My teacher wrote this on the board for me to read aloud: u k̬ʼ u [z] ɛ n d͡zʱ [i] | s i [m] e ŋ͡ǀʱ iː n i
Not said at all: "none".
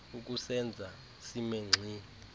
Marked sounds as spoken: s, a, m

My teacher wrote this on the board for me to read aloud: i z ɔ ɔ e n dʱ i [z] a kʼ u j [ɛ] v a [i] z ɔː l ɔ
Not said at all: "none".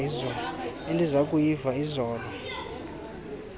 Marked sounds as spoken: z, i, i

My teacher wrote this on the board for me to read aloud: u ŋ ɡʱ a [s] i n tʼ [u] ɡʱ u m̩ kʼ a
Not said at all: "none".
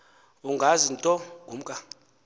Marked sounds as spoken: z, ɔ

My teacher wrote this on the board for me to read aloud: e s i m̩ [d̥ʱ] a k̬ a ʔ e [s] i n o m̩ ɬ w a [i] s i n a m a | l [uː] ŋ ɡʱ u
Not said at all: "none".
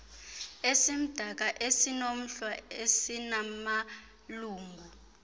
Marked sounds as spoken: d̥ʱ, s, e, uː

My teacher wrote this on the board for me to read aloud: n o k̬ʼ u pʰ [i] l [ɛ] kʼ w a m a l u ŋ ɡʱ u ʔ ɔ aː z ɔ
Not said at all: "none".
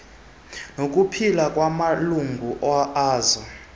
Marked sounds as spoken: i, a

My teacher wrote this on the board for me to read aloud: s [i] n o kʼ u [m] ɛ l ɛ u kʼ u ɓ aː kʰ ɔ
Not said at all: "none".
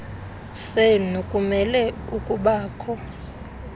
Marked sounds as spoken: e, m

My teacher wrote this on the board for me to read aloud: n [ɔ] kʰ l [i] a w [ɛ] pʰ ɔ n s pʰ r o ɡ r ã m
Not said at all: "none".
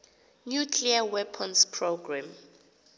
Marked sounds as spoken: u, i, ɛ

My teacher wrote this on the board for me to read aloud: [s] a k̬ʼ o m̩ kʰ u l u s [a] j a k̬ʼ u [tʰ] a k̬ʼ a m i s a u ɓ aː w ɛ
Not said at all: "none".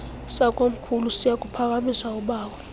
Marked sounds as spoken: s, i, pʰ

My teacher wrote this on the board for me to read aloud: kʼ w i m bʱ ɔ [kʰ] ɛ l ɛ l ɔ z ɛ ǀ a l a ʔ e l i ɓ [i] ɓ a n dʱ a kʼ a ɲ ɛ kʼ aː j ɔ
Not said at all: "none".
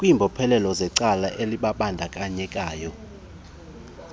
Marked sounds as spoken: pʰ, a

